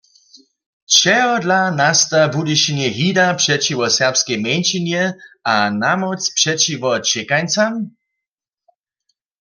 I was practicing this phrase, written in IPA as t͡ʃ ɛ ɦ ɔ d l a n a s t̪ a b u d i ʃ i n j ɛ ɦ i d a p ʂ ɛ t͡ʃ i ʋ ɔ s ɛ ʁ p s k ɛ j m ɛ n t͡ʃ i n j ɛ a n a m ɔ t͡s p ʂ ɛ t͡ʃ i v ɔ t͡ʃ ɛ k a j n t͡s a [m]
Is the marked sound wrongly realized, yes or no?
no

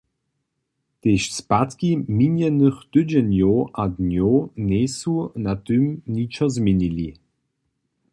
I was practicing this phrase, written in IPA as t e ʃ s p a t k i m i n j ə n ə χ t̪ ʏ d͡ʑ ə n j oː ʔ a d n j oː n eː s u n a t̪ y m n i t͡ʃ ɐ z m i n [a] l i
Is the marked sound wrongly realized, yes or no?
yes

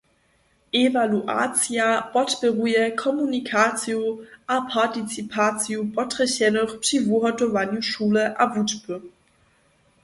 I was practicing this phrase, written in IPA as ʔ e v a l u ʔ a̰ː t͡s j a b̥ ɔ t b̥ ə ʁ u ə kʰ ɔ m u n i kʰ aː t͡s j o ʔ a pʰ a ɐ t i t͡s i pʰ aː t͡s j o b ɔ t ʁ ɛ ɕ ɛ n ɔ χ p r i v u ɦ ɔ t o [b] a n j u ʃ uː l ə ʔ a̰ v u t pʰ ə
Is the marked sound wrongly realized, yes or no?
yes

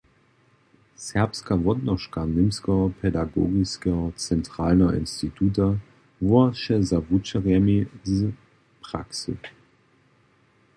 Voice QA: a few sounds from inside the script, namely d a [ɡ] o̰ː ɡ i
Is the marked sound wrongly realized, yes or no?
no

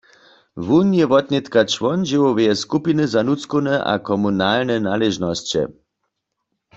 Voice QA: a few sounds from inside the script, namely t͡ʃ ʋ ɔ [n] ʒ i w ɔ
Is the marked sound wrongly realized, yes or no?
no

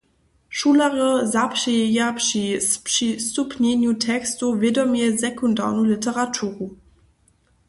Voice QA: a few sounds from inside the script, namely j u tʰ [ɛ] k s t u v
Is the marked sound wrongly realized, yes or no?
no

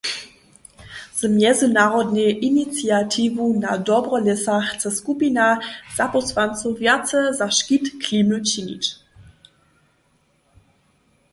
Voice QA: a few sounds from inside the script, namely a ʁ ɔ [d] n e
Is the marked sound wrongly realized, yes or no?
no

